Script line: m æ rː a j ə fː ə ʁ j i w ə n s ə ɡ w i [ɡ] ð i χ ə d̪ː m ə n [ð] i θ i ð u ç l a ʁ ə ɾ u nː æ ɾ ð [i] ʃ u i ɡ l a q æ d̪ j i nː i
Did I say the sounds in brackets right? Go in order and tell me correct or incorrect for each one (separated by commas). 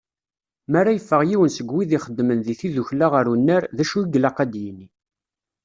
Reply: incorrect, correct, incorrect